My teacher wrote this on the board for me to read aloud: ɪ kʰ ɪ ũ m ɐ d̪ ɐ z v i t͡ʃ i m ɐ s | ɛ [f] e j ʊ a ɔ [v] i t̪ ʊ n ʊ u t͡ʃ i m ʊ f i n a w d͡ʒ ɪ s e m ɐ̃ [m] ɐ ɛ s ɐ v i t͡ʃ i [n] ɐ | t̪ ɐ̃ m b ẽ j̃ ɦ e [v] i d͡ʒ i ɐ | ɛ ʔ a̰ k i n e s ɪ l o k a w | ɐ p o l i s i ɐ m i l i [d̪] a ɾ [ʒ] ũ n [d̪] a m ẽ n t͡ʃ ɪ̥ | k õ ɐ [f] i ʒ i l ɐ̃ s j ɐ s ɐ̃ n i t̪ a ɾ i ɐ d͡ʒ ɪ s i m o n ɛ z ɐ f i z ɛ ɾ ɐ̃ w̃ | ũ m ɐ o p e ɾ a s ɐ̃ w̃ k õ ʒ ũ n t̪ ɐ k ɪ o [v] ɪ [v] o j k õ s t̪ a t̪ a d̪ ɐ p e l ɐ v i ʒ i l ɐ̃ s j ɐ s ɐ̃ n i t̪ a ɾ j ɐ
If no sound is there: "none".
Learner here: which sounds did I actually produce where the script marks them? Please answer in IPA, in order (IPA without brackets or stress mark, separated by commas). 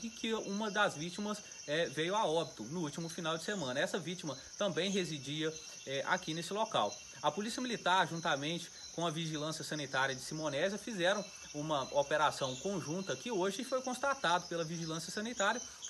v, b, n, m, z, t̪, ʒ, t̪, v, ʒ, f